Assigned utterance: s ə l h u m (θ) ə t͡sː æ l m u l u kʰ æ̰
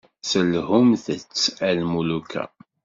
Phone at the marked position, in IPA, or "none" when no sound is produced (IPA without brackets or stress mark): θ